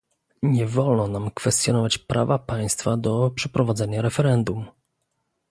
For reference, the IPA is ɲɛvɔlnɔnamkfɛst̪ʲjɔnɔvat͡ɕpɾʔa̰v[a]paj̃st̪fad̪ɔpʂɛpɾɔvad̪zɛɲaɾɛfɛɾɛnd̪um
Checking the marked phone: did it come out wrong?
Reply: no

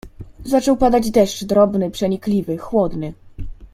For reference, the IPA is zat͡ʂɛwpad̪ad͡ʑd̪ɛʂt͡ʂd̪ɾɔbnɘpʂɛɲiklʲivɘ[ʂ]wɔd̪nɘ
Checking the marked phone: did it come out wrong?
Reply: yes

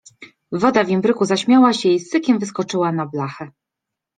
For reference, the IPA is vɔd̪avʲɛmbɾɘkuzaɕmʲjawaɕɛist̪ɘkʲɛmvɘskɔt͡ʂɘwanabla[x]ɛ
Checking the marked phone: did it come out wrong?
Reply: no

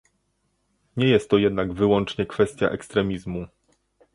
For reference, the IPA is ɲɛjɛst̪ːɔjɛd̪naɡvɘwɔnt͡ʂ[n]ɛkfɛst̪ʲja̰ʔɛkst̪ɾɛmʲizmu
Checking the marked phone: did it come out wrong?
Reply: yes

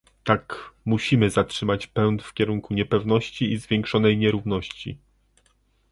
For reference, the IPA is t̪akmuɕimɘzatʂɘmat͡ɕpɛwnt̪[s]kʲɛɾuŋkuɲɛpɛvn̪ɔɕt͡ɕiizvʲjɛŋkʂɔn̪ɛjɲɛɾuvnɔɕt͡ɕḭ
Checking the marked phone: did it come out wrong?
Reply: yes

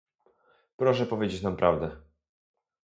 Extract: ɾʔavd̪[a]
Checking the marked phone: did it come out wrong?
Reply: yes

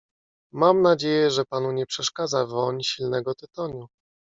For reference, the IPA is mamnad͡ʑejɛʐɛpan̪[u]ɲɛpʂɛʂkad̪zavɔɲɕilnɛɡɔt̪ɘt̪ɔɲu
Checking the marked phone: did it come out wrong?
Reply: no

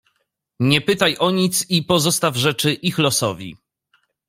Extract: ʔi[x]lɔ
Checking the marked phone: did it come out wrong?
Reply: no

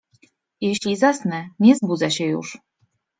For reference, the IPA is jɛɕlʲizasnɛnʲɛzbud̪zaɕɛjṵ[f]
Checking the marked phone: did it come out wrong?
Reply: yes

